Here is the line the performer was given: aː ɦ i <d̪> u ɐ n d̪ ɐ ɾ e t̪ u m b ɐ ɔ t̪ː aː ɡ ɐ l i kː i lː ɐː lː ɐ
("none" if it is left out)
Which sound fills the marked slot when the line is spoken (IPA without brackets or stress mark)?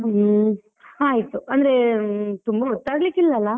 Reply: t̪